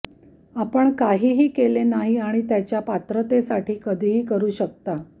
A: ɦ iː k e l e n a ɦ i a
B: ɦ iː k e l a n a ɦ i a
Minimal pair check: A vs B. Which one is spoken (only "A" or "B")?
A